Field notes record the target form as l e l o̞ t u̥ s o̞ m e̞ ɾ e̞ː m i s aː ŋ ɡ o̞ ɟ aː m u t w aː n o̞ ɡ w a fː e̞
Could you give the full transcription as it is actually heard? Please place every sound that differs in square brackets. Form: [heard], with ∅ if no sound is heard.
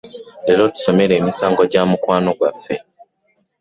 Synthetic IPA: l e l o̞ t u̥ s o̞ m e̞ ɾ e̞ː m i s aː ŋ ɡ o̞ ɟ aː m u [k] w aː n o̞ ɡ w a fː e̞

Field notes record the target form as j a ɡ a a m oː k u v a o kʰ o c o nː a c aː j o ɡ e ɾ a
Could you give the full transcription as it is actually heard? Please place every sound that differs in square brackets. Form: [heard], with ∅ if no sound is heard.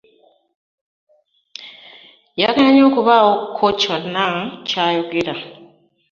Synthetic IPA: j a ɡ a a [ɲ] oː k u [β] a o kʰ o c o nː a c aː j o ɡ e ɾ a

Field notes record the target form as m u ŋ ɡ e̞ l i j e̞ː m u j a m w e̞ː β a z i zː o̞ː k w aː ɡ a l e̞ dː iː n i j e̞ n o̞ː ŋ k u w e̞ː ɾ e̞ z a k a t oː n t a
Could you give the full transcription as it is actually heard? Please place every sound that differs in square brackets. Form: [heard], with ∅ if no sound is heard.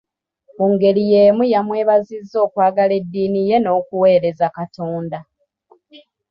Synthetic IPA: m u ŋ ɡ e̞ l i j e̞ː m u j a m w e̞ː β a z i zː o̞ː k w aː ɡ a l e̞ dː iː n i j e̞ n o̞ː [∅] k u w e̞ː ɾ e̞ z a k a t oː n [d] a

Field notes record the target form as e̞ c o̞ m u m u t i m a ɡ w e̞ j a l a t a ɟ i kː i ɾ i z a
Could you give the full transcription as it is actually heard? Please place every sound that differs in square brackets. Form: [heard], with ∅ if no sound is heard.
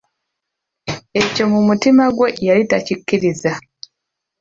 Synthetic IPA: e̞ c o̞ m u m u t i m a ɡ w e̞ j a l [i] t a [c] i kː i ɾ i z a

